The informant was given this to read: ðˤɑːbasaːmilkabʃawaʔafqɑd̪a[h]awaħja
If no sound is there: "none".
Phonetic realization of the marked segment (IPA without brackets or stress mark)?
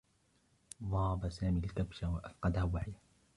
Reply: h